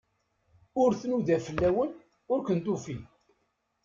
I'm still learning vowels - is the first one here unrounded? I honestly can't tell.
no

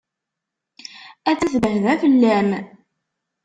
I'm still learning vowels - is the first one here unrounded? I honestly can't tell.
yes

